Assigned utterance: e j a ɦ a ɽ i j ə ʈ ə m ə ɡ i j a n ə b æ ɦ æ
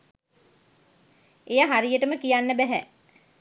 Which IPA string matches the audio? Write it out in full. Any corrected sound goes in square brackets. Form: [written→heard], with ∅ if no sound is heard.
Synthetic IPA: e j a ɦ a [ɽ→ɾ] i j ə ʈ ə m ə [ɡ→k] i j a [n→nː] ə b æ ɦ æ